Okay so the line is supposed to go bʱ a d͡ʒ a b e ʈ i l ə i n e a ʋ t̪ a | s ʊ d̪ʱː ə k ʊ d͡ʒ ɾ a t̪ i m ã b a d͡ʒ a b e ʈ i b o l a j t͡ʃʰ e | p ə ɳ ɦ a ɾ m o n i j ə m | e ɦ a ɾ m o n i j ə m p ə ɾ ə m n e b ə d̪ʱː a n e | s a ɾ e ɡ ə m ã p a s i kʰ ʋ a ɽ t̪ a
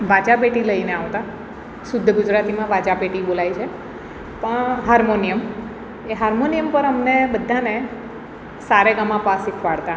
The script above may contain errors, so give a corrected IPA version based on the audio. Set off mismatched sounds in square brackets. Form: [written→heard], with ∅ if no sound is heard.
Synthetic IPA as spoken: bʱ a d͡ʒ a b e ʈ i l ə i n e a ʋ t̪ a | s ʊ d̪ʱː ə [k→ɡ] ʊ d͡ʒ ɾ a t̪ i m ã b a d͡ʒ a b e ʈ i b o l a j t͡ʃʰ e | p ə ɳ ɦ a ɾ m o n i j ə m | e ɦ a ɾ m o n i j ə m p ə ɾ ə m n e b ə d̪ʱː a n e | s a ɾ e ɡ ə m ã p a s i kʰ ʋ a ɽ t̪ a